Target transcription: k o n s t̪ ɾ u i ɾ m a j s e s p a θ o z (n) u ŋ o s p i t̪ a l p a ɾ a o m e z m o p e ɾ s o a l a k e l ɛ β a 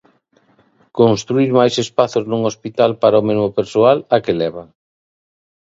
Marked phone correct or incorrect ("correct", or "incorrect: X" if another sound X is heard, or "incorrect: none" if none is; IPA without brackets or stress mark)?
correct